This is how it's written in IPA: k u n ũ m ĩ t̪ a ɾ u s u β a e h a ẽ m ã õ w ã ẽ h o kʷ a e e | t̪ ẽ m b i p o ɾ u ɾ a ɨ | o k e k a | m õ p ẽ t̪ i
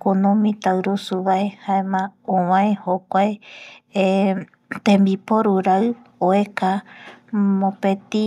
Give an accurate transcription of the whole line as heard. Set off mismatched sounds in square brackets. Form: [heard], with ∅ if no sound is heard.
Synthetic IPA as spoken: k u n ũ m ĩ t̪ a ɾ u s u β a e h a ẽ m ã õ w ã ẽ h o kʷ a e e | t̪ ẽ m b i p o ɾ u ɾ a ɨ | o [∅] e k a | m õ p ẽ t̪ i

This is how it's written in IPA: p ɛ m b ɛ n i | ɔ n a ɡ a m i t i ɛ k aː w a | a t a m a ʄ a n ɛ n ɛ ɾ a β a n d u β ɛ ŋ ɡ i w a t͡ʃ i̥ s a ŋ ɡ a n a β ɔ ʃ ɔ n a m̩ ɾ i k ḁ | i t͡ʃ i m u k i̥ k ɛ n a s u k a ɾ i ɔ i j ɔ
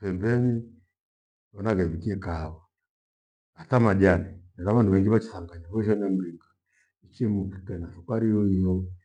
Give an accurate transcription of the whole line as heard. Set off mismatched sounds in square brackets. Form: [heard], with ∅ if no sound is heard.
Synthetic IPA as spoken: p ɛ m b ɛ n i | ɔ n a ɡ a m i [k] i ɛ k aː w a | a t a m a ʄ a n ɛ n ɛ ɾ a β a n d u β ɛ ŋ ɡ i [β] a t͡ʃ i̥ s a ŋ ɡ a [ɲ] a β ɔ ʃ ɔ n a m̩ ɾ i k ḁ | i t͡ʃ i m u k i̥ k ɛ n a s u k a ɾ i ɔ i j ɔ

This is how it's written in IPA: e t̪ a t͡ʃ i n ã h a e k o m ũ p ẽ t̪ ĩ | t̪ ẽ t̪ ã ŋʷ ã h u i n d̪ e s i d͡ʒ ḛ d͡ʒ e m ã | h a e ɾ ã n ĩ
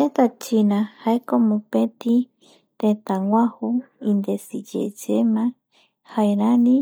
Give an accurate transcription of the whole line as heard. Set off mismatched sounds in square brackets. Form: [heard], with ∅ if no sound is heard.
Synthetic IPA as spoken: e t̪ a t͡ʃ i n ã h a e k o m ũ p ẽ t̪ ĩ | t̪ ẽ t̪ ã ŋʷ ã h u i n d̪ e s i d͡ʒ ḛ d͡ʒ e m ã | h a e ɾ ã n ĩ

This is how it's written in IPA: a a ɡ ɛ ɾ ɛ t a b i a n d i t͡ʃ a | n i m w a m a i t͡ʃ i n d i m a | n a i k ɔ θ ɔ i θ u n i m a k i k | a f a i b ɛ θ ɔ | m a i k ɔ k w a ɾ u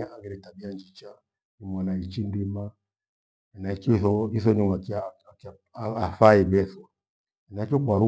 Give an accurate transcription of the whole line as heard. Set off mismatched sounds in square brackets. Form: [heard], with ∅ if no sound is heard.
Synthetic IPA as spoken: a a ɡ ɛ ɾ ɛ t a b i a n [d͡ʒ] i t͡ʃ a | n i m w a [n] a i t͡ʃ i n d i m a | n a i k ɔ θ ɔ i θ [ɔ] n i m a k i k | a f a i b ɛ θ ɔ | [n] a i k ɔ k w a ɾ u

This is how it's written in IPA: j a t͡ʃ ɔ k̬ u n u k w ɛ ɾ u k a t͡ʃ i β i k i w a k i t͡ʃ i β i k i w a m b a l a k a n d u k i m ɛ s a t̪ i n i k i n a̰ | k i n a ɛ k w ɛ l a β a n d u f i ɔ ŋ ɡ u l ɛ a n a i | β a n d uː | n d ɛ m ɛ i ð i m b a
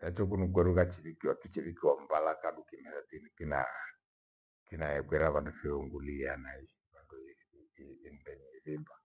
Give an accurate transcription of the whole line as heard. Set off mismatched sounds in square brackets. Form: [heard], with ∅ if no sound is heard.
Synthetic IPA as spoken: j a t͡ʃ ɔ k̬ u n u k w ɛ ɾ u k a t͡ʃ i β i k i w a k i t͡ʃ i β i k i w a m b a l a k a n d u k i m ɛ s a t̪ i n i k i n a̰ | k i n a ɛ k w ɛ [ɾ] a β a n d u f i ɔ ŋ ɡ u l [i] a n a i | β a n d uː | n d ɛ [ɲ] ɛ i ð i m b a

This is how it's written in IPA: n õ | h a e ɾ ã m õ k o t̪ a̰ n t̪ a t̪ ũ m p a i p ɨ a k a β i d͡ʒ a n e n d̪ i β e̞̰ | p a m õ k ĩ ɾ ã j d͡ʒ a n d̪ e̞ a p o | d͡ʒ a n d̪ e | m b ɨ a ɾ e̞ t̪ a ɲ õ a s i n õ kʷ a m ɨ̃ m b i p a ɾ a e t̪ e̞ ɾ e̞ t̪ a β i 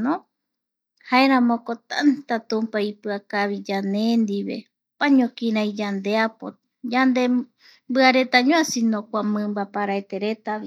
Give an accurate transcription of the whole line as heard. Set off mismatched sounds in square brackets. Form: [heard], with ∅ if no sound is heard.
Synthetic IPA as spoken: n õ | h a e ɾ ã m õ k o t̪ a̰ n t̪ a t̪ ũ m p a i p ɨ a k a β i d͡ʒ a n e n d̪ i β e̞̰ | p a [ɲ] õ k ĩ ɾ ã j d͡ʒ a n d̪ e̞ a p o | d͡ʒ a n d̪ e | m b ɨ a ɾ e̞ t̪ a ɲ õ a s i n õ kʷ a m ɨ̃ m b [a] p a ɾ a e t̪ e̞ ɾ e̞ t̪ a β i

